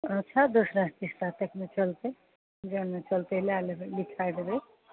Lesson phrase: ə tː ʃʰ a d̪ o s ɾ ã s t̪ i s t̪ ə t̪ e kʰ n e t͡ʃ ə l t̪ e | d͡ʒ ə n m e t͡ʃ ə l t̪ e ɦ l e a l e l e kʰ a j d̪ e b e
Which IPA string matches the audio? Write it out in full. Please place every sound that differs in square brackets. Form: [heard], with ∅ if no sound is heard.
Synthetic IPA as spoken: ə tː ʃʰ a d̪ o s ɾ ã s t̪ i s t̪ [a] t̪ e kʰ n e t͡ʃ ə l t̪ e | d͡ʒ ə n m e t͡ʃ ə l t̪ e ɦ l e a l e l [i] kʰ a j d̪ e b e